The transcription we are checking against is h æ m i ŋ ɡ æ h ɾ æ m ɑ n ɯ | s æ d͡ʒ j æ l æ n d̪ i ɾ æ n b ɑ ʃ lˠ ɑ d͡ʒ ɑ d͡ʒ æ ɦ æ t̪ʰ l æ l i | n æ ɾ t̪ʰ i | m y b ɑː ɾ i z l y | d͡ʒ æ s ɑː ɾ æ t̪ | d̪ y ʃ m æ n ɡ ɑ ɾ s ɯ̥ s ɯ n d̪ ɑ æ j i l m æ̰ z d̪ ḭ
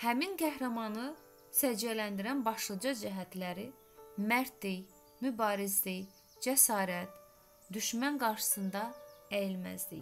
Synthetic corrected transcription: h æ m i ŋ ɡ æ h ɾ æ m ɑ n ɯ | s æ d͡ʒ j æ l æ n d̪ i ɾ æ n b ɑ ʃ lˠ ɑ d͡ʒ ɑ d͡ʒ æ ɦ æ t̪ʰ l æ ɾ i | m æ ɾ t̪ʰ i | m y b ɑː ɾ i z l i | d͡ʒ æ s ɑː ɾ æ t̪ | d̪ y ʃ m æ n ɡ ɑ ɾ ʃ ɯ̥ s ɯ n d̪ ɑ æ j i l m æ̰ z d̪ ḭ